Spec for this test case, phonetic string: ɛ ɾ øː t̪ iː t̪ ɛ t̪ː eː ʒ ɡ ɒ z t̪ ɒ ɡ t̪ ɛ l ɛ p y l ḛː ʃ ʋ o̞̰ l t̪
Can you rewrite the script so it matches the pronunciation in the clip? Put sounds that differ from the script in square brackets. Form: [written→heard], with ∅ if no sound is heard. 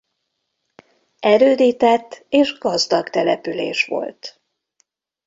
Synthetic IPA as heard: ɛ ɾ øː [t̪→d̪] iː t̪ ɛ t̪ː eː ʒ ɡ ɒ z [t̪→d̪] ɒ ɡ t̪ ɛ l ɛ p y l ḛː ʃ ʋ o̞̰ l t̪